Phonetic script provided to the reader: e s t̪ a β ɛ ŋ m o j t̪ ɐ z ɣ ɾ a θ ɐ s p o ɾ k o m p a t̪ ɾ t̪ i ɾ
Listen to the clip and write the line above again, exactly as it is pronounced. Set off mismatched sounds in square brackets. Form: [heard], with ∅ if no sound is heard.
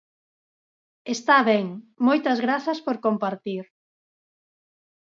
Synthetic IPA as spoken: e s t̪ a β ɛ ŋ m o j t̪ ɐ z ɣ ɾ a θ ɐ s p o ɾ k o m p a [∅] ɾ t̪ i ɾ